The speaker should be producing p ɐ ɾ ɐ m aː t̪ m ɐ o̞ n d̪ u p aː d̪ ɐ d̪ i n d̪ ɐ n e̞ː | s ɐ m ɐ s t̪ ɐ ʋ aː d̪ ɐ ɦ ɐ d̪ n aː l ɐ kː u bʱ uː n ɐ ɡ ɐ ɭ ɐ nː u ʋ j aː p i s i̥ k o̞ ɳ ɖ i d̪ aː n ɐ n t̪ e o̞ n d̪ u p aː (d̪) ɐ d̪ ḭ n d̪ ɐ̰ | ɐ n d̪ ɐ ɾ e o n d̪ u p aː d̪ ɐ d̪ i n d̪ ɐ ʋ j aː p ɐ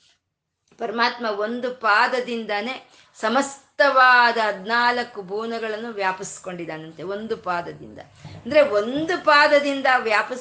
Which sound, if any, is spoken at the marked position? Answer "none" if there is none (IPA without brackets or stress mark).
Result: d̪